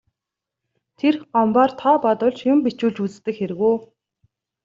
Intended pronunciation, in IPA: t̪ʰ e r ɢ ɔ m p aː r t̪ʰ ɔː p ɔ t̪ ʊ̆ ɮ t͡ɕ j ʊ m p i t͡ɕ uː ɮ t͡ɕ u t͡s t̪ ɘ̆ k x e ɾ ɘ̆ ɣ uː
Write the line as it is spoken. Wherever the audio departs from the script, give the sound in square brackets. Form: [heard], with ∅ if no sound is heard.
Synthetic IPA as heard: t̪ʰ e r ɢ ɔ m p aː r t̪ʰ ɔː p ɔ t̪ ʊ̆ ɮ t͡ɕ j ʊ m p i t͡ɕ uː ɮ t͡ɕ u t͡s t̪ ɘ̆ k x e ɾ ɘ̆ ɣ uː